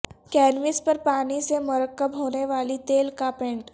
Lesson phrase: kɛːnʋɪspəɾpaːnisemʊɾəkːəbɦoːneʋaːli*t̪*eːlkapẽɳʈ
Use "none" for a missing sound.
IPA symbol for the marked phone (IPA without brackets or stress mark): t̪